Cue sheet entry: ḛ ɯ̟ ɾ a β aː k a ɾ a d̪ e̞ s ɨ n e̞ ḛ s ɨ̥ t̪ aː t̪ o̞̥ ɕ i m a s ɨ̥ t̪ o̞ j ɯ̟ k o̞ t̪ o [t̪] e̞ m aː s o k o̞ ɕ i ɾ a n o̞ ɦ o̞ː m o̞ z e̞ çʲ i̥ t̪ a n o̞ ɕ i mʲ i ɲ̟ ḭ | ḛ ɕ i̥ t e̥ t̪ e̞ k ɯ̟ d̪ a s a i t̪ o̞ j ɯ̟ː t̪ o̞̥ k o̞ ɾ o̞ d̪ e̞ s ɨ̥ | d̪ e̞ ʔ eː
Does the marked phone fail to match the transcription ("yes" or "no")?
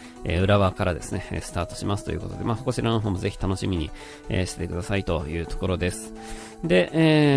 yes